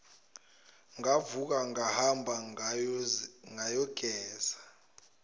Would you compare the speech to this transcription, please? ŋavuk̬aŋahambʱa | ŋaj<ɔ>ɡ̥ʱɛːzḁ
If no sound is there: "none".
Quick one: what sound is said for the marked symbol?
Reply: ɔ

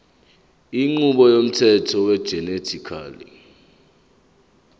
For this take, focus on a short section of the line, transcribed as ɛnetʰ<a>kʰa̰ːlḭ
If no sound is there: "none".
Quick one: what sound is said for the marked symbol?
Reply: i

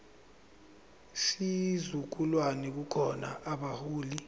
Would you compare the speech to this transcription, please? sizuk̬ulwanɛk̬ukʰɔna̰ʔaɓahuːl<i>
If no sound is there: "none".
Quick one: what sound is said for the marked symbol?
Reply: i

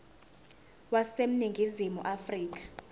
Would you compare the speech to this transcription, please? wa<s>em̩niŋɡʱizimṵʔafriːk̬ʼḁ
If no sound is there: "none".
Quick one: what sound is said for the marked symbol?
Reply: s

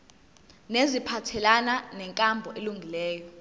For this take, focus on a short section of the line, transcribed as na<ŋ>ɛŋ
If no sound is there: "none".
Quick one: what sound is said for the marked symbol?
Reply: n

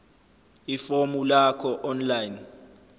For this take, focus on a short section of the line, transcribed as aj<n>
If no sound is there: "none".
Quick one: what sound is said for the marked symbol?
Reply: n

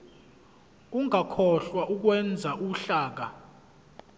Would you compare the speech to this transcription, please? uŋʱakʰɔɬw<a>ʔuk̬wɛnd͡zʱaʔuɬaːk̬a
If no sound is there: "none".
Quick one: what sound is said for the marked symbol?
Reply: a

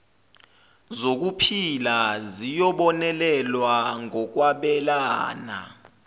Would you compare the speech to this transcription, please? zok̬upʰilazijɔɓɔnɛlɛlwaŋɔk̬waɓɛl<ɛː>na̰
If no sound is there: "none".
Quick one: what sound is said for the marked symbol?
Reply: aː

